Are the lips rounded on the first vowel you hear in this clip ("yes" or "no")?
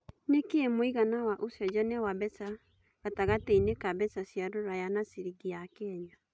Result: no